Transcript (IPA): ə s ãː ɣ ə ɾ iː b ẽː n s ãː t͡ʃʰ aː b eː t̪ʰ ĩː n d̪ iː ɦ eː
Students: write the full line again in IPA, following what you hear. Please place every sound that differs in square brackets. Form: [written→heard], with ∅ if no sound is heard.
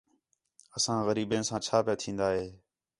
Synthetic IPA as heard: ə s ãː ɣ ə ɾ iː b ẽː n s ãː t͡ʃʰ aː [b→p] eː t̪ʰ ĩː n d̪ [iː→aː] ɦ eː